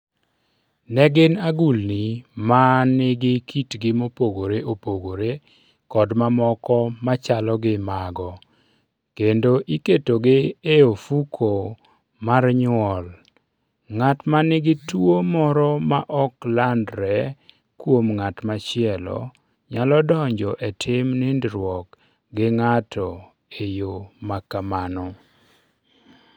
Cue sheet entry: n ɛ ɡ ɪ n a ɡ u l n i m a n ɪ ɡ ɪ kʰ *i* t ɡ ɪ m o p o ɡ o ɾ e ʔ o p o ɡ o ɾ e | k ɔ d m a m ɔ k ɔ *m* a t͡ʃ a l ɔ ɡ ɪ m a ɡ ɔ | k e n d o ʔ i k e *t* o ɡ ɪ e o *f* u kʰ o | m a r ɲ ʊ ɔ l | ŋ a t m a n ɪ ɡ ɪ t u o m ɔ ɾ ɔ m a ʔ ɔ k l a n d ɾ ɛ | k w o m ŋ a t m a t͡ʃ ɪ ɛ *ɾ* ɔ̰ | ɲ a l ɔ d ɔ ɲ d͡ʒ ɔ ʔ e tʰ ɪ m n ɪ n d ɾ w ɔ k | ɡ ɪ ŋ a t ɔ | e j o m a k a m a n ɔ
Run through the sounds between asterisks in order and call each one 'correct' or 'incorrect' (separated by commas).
correct, correct, correct, correct, incorrect